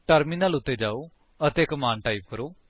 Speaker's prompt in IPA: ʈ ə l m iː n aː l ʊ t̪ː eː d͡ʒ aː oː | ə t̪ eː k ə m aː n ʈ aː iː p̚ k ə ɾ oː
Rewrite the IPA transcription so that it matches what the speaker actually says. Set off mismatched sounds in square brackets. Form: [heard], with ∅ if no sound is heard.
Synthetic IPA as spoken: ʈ ə [ɾ] m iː n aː l ʊ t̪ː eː d͡ʒ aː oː | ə t̪ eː k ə m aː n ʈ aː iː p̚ k ə ɾ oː